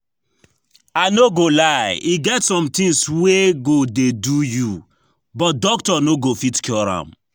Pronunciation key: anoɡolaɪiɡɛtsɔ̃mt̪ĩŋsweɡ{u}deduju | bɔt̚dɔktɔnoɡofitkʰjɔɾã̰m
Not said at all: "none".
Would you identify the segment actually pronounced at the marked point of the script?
o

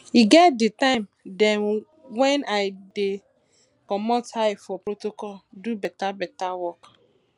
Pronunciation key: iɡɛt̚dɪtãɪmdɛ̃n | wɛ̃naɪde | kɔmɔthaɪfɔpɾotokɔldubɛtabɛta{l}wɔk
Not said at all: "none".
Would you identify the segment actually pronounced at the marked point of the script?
none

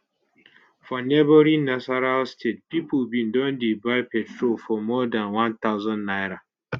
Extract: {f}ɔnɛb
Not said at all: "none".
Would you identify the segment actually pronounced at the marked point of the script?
f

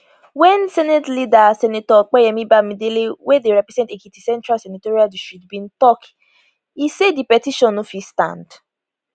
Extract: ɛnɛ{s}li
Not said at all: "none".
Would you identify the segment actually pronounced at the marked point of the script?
t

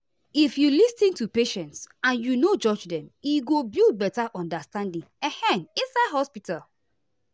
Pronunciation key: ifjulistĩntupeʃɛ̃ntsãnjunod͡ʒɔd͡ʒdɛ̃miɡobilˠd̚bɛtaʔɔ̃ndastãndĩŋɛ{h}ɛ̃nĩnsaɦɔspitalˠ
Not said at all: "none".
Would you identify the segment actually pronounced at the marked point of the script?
h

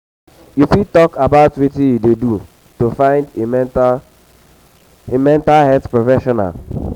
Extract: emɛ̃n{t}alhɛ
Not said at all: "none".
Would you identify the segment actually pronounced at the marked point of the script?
t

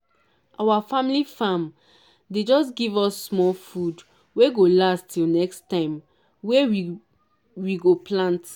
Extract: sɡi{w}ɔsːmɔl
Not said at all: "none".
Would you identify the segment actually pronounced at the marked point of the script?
v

